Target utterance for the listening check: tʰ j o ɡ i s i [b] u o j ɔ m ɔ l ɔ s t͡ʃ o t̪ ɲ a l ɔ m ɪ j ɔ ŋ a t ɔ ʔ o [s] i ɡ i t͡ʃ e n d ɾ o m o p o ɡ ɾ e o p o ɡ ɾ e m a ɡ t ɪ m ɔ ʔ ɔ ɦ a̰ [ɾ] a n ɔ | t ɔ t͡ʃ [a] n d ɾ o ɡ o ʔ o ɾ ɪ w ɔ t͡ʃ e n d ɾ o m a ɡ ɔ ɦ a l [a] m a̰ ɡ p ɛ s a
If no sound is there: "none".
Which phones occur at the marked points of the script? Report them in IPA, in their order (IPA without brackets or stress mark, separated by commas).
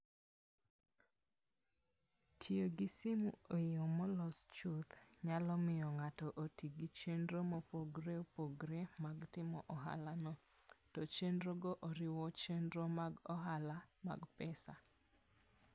m, t, l, e, a